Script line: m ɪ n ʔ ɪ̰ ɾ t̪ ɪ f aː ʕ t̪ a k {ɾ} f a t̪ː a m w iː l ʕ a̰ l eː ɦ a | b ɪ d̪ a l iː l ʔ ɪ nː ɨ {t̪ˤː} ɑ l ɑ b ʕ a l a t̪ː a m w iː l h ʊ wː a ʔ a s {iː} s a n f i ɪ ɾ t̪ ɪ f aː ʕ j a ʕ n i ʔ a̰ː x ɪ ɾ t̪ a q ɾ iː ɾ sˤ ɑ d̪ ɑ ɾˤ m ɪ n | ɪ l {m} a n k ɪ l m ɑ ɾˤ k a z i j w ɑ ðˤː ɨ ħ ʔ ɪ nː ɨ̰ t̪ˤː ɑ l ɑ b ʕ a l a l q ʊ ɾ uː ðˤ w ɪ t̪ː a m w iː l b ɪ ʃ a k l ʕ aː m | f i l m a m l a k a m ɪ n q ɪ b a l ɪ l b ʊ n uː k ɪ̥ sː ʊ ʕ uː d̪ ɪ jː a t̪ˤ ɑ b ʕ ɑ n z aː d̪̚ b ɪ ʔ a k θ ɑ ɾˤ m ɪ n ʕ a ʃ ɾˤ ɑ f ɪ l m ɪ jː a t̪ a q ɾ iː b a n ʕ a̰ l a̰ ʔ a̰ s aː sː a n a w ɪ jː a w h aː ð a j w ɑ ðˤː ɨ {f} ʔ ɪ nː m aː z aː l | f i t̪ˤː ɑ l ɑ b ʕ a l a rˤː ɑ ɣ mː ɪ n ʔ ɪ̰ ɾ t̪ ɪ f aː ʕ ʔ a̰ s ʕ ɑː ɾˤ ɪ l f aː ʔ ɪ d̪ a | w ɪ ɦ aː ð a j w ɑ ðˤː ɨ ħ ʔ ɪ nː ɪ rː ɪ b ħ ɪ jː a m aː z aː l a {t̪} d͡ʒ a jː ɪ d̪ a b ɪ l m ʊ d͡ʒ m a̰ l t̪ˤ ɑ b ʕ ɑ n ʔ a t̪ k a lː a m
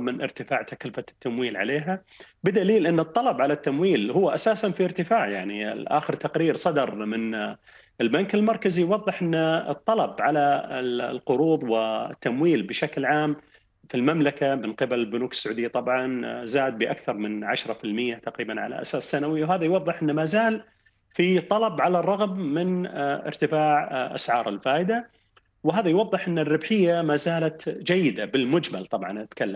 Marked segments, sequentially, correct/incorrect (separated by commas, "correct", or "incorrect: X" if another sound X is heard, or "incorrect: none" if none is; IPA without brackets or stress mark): incorrect: l, correct, incorrect: aː, incorrect: b, incorrect: ħ, correct